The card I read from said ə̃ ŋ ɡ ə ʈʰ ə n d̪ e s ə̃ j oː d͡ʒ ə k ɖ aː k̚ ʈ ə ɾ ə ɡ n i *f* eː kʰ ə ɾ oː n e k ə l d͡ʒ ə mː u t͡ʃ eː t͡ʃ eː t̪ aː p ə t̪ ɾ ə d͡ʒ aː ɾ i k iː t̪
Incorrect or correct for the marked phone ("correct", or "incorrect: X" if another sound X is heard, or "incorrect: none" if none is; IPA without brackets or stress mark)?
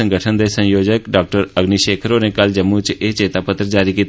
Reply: incorrect: ʃ